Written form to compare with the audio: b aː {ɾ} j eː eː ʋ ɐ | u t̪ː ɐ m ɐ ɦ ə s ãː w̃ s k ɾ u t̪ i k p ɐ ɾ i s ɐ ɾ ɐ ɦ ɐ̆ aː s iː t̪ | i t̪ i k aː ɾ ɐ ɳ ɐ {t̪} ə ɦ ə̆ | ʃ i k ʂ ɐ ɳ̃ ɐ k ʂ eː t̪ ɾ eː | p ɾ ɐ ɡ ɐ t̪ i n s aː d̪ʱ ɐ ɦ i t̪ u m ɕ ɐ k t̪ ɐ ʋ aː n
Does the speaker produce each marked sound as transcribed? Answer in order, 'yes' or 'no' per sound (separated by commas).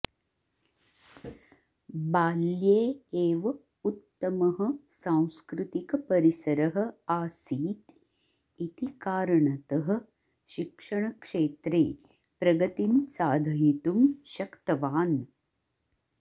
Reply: no, yes